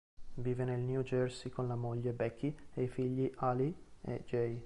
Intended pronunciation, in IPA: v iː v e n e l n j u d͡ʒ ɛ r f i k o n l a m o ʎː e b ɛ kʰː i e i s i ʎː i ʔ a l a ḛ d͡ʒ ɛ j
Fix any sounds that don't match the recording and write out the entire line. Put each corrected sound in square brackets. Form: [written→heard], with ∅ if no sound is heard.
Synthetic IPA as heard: v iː v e n e l n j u d͡ʒ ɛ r [f→s] i k o n l a m o ʎː e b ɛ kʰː i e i [s→f] i ʎː i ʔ a l [a→i] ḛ d͡ʒ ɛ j

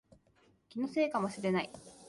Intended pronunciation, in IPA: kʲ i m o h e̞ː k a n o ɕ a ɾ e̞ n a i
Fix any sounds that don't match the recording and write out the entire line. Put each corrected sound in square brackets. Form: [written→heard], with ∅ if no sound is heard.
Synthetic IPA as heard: kʲ i [m→n] o [h→s] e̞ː k a [n→m] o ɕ [a→i] ɾ e̞ n a i

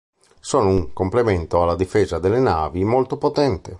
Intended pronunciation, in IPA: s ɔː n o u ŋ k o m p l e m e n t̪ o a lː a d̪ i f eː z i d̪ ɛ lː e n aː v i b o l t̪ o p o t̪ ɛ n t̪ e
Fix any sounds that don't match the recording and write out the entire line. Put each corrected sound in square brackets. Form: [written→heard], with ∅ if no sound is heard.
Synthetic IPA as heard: s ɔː n o u ŋ k o m p l e m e n t̪ o a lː a d̪ i f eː z [i→a] d̪ [ɛ→e] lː e n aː v i [b→m] o l t̪ o p o t̪ ɛ n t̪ e

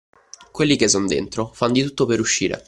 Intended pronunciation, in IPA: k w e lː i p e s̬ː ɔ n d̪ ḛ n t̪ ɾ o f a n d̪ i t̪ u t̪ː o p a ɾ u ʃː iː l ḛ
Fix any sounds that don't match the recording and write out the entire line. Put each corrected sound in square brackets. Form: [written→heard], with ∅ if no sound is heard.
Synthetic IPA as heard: k w e lː i [p→k] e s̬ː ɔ n d̪ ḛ n t̪ ɾ o f a n d̪ i t̪ u t̪ː o p [a→e] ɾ u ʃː iː [l→ɾ] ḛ

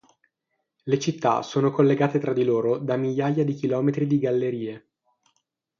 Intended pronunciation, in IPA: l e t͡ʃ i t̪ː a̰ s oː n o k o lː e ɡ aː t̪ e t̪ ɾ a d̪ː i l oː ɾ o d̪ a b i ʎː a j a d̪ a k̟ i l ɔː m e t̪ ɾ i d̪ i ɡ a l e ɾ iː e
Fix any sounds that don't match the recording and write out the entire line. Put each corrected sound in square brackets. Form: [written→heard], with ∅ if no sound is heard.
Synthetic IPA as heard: l e t͡ʃ i t̪ː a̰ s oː n o k o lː e ɡ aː t̪ e t̪ ɾ a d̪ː i l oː ɾ o d̪ a [b→m] i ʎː a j a d̪ [a→i] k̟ i l ɔː m e t̪ ɾ i d̪ i ɡ a [l→lː] e ɾ iː e

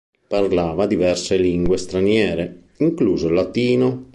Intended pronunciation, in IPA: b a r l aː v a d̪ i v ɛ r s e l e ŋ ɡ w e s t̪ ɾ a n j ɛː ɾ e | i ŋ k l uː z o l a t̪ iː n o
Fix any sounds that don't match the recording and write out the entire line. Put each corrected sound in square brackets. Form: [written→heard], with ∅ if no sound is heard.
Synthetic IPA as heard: [b→p] a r l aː v a d̪ i v ɛ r s e l [e→i] ŋ ɡ w e s t̪ ɾ a n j ɛː ɾ e | i ŋ k l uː z o l a t̪ iː n o

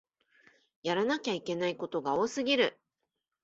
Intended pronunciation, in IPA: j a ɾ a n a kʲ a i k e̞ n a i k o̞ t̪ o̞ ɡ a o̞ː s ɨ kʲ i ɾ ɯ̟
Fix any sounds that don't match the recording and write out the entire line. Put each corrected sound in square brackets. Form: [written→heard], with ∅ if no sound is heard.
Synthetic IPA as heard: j a ɾ a n a kʲ a i k e̞ n a i k o̞ t̪ o̞ ɡ a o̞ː s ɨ [kʲ→ɡʲ] i ɾ ɯ̟

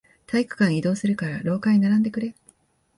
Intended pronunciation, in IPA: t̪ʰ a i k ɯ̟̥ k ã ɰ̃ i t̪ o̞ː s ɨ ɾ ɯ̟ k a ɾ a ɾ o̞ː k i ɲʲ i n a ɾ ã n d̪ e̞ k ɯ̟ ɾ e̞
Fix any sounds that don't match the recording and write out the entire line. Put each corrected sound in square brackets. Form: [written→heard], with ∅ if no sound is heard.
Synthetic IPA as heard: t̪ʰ a i k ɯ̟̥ k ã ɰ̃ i [t̪→d̪] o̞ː s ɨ ɾ ɯ̟ k a ɾ a ɾ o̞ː k [i→a] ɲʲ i n a ɾ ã n d̪ e̞ k ɯ̟ ɾ e̞

